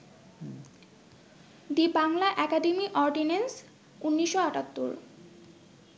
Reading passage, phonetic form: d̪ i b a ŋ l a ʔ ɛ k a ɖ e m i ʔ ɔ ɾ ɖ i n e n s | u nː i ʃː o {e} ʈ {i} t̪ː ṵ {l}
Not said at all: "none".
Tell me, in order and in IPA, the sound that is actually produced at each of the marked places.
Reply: a, a, ɾ

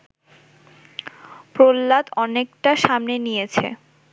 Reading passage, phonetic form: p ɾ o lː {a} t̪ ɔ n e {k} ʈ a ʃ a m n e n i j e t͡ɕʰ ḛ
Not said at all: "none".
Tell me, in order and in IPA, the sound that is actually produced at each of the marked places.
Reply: a, k

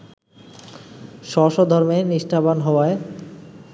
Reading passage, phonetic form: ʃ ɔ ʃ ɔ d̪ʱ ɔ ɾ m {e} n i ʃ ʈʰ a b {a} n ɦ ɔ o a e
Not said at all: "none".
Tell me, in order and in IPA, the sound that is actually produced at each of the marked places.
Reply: e, a

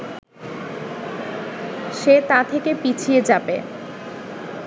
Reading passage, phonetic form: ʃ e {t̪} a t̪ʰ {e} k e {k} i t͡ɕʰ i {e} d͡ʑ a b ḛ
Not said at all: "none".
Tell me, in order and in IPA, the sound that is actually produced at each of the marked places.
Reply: t̪, e, p, e

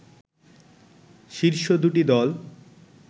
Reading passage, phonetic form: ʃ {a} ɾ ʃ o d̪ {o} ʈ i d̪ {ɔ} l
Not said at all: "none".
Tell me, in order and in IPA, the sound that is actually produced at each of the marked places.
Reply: i, u, ɔ

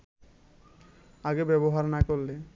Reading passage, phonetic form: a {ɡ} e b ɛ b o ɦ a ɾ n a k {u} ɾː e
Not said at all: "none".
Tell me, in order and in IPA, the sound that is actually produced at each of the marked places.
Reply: ɡ, o

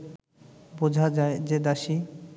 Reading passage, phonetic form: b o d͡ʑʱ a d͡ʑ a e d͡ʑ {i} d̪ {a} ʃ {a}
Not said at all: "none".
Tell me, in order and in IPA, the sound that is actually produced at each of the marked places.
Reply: e, a, i

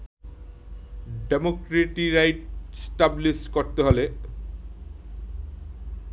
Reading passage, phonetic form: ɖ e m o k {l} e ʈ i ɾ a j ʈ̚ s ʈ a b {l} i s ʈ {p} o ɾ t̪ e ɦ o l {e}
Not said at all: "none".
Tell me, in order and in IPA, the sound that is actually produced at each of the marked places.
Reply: ɾ, l, k, e

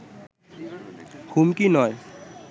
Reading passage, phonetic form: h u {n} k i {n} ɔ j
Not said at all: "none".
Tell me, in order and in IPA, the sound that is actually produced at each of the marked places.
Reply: m, n

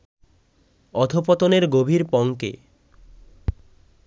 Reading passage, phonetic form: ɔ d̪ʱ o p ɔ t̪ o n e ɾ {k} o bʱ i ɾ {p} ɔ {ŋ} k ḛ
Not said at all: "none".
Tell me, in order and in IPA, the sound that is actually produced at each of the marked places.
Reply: ɡ, p, ŋ

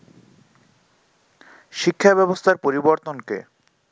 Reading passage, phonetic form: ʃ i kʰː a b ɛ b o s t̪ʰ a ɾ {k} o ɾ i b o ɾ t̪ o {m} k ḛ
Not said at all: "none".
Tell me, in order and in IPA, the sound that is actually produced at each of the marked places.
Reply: p, n

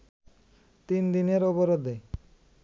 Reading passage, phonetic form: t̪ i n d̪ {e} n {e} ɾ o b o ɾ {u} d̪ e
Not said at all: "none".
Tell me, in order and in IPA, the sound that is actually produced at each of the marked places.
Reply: i, e, o

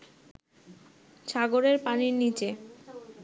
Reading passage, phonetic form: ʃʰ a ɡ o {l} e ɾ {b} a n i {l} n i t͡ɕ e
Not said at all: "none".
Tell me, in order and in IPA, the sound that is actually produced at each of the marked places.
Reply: ɾ, p, ɾ

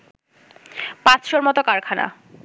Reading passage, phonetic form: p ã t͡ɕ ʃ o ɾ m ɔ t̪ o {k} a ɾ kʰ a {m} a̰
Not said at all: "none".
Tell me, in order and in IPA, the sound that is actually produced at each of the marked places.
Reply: k, n

